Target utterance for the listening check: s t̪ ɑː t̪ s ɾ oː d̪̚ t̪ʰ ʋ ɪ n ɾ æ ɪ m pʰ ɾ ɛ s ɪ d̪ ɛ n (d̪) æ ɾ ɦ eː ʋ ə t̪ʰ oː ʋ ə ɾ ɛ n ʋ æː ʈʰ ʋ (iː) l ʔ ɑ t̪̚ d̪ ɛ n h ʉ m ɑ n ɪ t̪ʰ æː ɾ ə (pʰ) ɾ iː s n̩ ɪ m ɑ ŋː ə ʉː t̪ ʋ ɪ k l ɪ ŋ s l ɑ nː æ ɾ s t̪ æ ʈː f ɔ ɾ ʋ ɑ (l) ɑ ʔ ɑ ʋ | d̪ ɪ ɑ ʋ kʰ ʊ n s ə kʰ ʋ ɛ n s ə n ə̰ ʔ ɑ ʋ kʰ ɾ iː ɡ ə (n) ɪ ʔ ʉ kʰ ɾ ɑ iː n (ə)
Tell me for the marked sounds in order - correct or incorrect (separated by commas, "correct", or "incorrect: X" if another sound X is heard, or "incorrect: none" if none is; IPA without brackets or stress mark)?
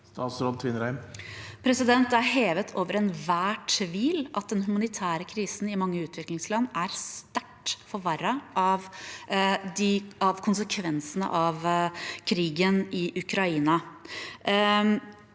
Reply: incorrect: t̪, correct, incorrect: kʰ, incorrect: ɾ, correct, incorrect: ɑ